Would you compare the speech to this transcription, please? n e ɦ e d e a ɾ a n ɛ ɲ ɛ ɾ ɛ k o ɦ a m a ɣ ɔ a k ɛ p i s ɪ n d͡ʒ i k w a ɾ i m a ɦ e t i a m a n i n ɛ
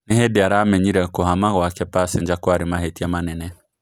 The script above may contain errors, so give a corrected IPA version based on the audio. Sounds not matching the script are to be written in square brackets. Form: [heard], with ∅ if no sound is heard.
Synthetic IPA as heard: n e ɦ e d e a ɾ a [m] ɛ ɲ [i] ɾ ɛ k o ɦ a m a ɣ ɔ a k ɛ p [a] s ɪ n d͡ʒ [a] k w a ɾ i m a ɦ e t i a m a n [ɛ] n ɛ

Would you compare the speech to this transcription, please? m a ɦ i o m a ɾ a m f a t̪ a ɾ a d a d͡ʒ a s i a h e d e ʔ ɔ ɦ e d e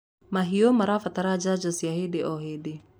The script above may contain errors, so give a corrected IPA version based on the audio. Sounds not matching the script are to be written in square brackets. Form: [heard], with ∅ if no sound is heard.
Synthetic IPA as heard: m a ɦ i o m a ɾ a [∅] f a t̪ a ɾ a [d͡ʒ] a d͡ʒ a s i a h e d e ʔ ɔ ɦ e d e

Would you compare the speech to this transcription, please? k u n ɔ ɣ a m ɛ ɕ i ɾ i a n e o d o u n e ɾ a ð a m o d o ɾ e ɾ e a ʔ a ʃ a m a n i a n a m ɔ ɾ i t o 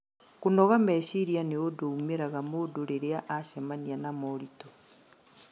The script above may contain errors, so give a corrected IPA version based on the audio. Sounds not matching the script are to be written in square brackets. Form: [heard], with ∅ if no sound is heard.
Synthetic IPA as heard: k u n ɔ ɣ a m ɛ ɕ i ɾ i a n e o d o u [m] e ɾ a [ɣ] a m o d o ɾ e ɾ e a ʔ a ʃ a m a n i a n a m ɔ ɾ i t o

